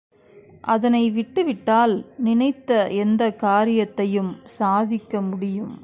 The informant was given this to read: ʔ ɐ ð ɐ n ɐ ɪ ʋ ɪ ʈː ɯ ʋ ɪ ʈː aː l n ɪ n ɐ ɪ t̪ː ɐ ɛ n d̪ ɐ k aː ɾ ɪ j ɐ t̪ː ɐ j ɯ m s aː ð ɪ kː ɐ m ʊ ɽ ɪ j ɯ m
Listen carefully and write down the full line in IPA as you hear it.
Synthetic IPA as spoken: ʔ ɐ ð ɐ n ɐ ɪ ʋ ɪ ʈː ɯ ʋ ɪ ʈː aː l n ɪ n ɐ ɪ t̪ː ɐ ɛ n d̪ ɐ k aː ɾ ɪ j ɐ t̪ː ɐ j ɯ m s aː ð ɪ kː ɐ m ʊ ɽ ɪ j ɯ m